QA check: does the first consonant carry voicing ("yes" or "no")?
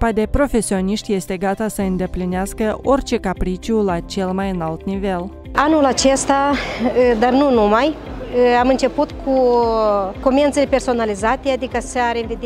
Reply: no